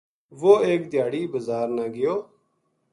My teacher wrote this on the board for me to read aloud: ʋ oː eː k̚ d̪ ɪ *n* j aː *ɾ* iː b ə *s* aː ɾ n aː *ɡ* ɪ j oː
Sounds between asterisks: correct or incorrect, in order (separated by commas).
incorrect, incorrect, incorrect, correct